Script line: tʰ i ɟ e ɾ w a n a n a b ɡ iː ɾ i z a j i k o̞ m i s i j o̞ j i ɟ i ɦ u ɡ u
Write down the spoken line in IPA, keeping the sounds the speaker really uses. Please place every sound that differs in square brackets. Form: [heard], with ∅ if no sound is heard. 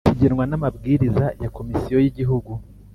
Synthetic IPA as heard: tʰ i ɟ e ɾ w a n a [m] a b ɡ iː ɾ i z a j [a] k o̞ m i s i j o̞ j i ɟ i ɦ u ɡ u

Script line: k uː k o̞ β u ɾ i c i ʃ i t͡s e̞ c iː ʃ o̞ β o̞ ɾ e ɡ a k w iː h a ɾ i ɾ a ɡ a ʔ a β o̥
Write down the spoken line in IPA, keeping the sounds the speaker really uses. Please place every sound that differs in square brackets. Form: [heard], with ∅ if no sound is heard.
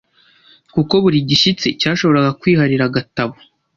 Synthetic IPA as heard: k [u] k o̞ β u ɾ i [ɟ] i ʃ i t͡s e̞ c [aː] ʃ o̞ β o̞ ɾ [a] ɡ a k w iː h a ɾ i ɾ a ɡ a [t] a β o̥

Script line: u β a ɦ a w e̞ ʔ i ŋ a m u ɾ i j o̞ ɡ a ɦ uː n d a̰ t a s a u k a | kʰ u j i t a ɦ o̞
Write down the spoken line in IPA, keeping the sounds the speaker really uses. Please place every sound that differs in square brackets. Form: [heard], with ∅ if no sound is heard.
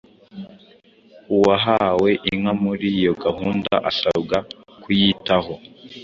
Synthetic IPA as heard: u [w] a ɦ a w e̞ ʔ i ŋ a m u ɾ i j o̞ ɡ a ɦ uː n d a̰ [ʔ] a s a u [ɡ] a | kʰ u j i t a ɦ o̞

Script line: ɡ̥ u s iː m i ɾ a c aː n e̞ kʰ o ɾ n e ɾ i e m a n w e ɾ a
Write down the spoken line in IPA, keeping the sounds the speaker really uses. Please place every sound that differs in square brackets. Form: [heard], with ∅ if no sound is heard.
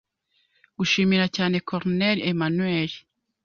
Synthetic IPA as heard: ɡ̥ u [ʃ] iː m i ɾ a c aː n e̞ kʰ o ɾ n e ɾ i e m a n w e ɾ [i]

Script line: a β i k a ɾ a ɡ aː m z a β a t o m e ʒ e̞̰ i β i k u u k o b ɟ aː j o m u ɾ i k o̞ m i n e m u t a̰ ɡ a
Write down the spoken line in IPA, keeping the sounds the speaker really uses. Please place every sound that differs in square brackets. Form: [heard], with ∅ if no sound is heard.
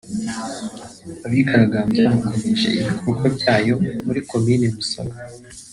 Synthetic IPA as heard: a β i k a ɾ a ɡ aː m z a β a [k] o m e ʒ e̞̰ i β i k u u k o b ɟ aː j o m u ɾ i k o̞ m i n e m u [s] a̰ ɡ a

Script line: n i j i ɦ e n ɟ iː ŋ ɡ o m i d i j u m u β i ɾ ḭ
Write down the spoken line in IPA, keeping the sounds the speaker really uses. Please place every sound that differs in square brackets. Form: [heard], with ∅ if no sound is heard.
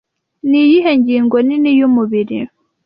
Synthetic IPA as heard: n i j i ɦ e [ɲ] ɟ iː ŋ ɡ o [n] i [n] i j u m u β i ɾ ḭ

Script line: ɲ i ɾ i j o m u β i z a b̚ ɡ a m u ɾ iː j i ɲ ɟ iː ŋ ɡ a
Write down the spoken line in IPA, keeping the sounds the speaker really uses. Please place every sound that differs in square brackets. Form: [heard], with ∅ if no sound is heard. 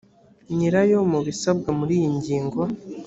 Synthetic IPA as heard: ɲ i ɾ [a] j o m u β i [s] a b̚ ɡ a m u ɾ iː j i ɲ ɟ iː ŋ ɡ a

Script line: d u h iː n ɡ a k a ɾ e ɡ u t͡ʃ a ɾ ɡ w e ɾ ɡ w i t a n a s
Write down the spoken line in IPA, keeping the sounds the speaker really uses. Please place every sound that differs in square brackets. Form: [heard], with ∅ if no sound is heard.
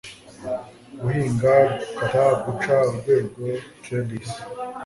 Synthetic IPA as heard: [ɡ] u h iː [ŋ] ɡ a k a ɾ [a] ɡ u t͡ʃ a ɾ ɡ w e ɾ ɡ w [e] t [e] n [i] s

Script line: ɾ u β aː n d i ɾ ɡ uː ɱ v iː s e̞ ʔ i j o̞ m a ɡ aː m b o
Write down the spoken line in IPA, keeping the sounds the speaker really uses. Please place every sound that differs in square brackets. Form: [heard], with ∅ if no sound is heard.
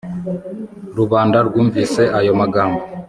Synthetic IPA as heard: ɾ u β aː n d [a] ɾ ɡ uː ɱ v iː s e̞ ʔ [a] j o̞ m a ɡ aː m b o

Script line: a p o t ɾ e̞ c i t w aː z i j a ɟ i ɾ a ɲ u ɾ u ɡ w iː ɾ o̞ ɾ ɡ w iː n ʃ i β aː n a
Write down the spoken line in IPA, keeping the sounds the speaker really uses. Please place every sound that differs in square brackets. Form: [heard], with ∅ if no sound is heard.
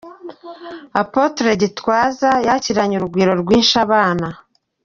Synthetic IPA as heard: a p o t ɾ e̞ [ɟ] i t w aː z [a] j a [c] i ɾ a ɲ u ɾ u ɡ w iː ɾ o̞ ɾ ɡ w iː n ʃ [a] β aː n a

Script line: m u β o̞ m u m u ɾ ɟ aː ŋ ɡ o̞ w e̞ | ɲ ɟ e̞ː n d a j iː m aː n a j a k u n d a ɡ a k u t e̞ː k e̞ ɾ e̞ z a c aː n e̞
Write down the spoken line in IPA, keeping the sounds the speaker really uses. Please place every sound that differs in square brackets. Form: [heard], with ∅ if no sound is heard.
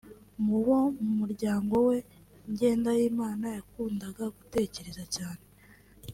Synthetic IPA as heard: m u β o̞ m u m u ɾ ɟ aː ŋ ɡ o̞ w e̞ | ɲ ɟ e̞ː n d a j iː m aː n a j a k [uː] n d a ɡ a [ɡ] u t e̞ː [c] e̞ ɾ e̞ z a c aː n e̞

